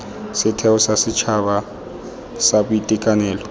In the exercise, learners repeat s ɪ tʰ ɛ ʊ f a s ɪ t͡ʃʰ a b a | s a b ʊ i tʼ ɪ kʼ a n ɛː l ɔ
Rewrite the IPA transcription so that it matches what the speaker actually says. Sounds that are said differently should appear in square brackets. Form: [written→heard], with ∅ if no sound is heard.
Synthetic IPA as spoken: s ɪ tʰ ɛ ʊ [f→s] a s ɪ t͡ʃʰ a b a | s a b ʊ i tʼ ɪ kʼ a n ɛː l ɔ